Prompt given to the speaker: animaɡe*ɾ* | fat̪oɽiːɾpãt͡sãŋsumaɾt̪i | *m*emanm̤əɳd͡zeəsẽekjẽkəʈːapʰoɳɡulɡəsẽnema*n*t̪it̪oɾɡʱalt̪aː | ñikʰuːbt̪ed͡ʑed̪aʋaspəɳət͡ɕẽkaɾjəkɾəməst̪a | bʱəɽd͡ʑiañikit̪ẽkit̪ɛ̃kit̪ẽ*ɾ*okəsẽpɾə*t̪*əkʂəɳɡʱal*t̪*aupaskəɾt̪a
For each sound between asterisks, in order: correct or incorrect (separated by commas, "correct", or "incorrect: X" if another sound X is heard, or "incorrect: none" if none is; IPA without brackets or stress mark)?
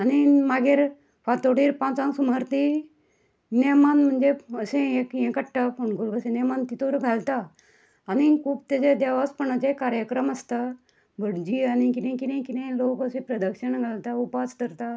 correct, incorrect: n, correct, incorrect: l, incorrect: d̪, correct